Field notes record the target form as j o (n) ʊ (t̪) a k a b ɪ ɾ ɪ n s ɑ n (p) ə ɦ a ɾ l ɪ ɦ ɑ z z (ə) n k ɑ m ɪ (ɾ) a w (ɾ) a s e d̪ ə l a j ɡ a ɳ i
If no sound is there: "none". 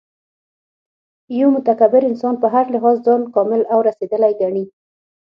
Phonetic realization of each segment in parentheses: m, t̪, p, ɑ, l, ɾ

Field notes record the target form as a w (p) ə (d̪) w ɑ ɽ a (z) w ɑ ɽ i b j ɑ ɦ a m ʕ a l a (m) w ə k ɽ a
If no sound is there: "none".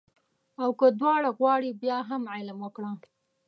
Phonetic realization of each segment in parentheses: k, d̪, ɣ, m

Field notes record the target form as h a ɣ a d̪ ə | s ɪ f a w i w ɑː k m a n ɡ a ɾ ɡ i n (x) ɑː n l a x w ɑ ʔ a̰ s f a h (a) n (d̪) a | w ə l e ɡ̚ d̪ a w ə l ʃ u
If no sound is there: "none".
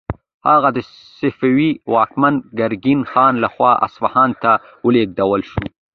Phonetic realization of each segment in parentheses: x, ɑ, t̪

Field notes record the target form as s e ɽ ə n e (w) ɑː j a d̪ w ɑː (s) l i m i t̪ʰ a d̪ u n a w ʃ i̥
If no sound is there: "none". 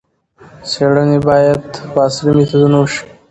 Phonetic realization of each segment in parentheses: b, s

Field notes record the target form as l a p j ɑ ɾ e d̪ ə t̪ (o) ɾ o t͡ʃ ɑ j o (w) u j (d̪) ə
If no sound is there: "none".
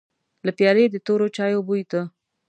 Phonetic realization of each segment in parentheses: o, b, t̪

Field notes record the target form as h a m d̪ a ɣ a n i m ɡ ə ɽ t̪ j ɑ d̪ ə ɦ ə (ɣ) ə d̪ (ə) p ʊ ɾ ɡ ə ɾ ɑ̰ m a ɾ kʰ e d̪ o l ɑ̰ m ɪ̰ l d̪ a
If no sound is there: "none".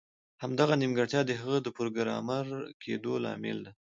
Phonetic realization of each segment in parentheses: ɣ, ə

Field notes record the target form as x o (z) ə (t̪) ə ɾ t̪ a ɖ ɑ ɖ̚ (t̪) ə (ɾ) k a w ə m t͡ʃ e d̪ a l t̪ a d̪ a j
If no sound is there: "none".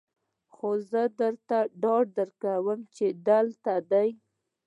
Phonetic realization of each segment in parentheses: z, d̪, d̪, ɾ

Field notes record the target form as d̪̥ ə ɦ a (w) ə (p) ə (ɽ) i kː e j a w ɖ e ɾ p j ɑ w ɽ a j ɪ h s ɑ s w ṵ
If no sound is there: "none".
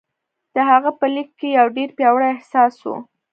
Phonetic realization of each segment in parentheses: ɣ, p, l

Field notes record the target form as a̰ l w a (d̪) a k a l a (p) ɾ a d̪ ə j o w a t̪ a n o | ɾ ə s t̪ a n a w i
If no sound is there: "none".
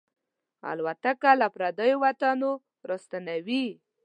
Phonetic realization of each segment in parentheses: t̪, p

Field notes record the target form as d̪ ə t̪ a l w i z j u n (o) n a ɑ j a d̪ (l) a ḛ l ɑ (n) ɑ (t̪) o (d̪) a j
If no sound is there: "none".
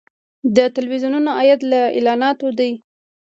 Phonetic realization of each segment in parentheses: u, l, n, t̪, d̪

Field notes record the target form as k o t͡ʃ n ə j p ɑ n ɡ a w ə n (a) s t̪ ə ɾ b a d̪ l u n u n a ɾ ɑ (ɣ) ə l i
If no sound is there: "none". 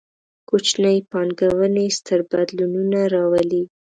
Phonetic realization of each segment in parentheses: e, w

